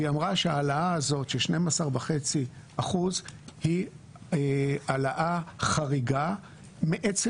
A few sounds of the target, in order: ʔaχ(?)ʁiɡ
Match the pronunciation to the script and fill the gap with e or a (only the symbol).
a